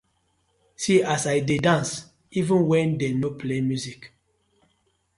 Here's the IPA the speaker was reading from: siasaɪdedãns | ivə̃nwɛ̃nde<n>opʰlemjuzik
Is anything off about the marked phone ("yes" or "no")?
no